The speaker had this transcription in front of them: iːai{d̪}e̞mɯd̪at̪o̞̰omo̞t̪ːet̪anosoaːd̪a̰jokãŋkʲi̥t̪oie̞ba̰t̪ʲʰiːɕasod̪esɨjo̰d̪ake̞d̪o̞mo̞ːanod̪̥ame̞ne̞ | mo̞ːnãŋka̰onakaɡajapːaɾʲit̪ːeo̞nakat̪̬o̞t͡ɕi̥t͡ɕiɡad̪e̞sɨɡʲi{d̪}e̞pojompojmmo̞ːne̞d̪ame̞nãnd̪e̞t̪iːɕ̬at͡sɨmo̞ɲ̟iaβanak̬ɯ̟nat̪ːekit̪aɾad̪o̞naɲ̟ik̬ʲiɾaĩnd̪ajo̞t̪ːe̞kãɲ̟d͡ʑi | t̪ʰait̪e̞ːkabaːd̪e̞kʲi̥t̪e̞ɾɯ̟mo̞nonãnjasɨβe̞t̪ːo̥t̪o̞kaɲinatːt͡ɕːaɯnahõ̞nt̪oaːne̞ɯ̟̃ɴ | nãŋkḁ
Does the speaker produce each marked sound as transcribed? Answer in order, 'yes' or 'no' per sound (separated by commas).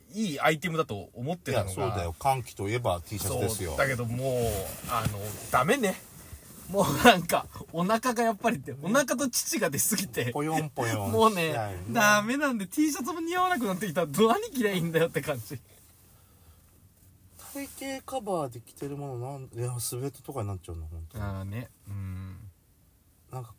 no, no